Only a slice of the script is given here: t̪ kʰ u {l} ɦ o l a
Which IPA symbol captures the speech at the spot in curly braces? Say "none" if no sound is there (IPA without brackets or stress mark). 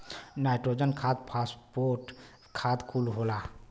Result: l